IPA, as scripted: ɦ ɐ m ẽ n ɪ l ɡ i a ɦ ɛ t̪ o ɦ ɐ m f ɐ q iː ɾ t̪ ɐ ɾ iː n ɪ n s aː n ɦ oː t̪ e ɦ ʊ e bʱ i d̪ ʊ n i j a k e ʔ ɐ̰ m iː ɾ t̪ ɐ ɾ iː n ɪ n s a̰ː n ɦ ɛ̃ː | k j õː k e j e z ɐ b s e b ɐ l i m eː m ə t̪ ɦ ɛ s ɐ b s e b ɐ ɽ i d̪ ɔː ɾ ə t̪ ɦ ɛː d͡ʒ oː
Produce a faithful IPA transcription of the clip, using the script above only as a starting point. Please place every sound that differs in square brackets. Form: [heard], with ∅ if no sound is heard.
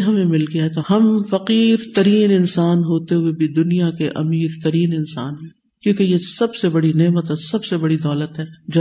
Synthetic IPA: ɦ ɐ m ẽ [m] ɪ l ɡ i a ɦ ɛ t̪ o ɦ ɐ m f ɐ q iː ɾ t̪ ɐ ɾ iː n ɪ n s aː n ɦ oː t̪ e ɦ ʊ e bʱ i d̪ ʊ n i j a k e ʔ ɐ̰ m iː ɾ t̪ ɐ ɾ iː n ɪ n s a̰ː n ɦ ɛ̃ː | k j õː k e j e [s] ɐ b s e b ɐ [ɽ] i [n] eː m ə t̪ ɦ ɛ s ɐ b s e b ɐ ɽ i d̪ ɔː [l] ə t̪ ɦ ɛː d͡ʒ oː